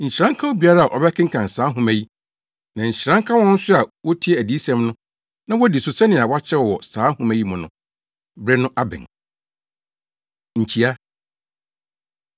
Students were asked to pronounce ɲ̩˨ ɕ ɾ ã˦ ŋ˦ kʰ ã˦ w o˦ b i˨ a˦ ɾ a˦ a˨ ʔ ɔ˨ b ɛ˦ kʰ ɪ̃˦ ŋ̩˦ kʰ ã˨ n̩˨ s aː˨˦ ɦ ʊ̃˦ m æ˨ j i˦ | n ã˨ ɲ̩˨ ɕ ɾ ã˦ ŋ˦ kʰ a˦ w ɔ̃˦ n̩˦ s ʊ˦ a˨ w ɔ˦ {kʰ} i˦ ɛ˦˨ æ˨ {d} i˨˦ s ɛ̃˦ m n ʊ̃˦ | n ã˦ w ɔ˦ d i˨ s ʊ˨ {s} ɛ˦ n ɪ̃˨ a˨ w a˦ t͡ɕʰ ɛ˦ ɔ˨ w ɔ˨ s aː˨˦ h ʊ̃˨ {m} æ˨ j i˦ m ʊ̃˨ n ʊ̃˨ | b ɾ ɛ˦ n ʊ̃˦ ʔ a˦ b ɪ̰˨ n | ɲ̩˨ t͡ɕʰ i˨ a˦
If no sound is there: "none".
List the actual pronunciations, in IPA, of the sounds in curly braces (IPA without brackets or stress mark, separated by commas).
tʰ, d, s, m